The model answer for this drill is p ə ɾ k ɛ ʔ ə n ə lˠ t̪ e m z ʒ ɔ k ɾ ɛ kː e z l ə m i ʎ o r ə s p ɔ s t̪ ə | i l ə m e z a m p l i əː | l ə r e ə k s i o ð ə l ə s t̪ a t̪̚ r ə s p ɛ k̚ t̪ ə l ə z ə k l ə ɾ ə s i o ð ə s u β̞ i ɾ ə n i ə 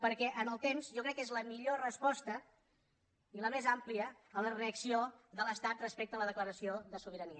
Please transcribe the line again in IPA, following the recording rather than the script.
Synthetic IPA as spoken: p ə ɾ k ɛ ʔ ə n ə lˠ t̪ e m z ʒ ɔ k ɾ ɛ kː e z l ə m i ʎ o r ə s p ɔ s t̪ ə | i l ə m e z a m p l i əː | l ə r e ə k s i o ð ə l ə s t̪ a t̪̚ r ə s p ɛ k̚ t̪ ə l ə ð ə k l ə ɾ ə s i o ð ə s u β̞ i ɾ ə n i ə